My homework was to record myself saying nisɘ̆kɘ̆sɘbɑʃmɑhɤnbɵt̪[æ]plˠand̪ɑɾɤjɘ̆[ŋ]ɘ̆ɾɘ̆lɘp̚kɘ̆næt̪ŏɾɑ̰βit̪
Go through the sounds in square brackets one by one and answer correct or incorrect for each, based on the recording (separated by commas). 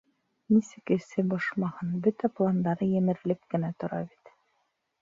correct, incorrect